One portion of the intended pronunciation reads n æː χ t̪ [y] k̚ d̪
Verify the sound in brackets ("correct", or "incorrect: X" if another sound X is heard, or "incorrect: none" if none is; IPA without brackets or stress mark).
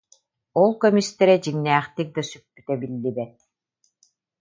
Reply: incorrect: i